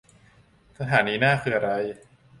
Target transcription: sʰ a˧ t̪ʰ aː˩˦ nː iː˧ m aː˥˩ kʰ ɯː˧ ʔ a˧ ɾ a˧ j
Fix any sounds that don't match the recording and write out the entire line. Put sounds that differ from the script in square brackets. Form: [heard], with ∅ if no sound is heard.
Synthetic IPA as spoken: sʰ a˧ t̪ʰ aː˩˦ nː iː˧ [n] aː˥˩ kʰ ɯː˧ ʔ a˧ ɾ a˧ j